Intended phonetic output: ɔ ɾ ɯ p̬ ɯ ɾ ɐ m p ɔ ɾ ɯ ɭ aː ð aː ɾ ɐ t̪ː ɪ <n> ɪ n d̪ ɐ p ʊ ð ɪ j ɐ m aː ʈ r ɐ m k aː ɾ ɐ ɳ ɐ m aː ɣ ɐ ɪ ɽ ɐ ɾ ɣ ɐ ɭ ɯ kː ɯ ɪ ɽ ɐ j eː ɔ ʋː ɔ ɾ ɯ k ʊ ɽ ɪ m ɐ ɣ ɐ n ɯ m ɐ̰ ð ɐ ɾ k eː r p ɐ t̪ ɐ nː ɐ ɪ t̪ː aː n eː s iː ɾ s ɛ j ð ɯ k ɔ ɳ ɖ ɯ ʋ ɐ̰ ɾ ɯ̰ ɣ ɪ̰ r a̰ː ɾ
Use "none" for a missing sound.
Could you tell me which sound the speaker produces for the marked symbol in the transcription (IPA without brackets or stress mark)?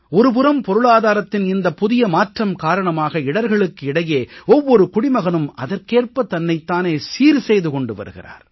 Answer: n